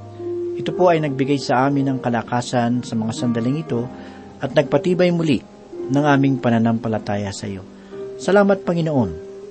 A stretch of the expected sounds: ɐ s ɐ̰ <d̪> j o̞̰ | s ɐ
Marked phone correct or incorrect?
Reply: incorrect